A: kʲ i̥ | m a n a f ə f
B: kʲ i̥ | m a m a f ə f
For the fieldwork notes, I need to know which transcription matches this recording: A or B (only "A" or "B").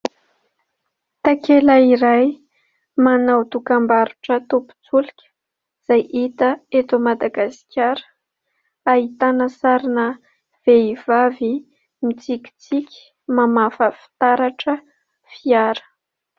B